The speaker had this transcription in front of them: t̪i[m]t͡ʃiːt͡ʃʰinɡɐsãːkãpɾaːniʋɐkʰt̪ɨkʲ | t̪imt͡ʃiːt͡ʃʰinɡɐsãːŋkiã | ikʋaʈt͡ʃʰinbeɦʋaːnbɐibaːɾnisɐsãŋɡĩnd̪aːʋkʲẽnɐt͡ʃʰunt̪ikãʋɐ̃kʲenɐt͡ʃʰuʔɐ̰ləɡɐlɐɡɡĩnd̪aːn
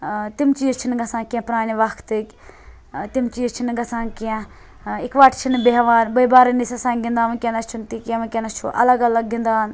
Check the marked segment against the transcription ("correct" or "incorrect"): correct